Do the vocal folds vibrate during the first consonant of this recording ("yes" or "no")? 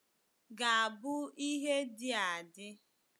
yes